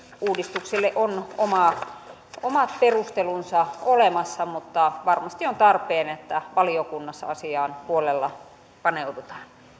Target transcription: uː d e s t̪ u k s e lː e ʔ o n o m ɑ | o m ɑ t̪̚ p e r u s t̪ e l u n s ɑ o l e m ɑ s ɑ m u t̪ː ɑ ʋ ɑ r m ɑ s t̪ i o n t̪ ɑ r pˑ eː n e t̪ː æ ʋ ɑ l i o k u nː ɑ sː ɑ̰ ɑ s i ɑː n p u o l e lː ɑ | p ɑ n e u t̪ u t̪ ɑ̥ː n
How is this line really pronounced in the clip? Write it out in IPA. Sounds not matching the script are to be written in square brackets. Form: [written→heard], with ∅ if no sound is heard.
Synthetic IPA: uː d [e→i] s t̪ u k s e lː e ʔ o n o m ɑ | o m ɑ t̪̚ p e r u s t̪ e l u n s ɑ o l e m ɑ [s→sː] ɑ m u t̪ː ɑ ʋ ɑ r m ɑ s t̪ i o n t̪ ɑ r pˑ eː n e t̪ː æ ʋ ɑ l i o k u nː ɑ sː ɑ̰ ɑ s i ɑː n p u o l e lː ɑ | p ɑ n e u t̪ u t̪ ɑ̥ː n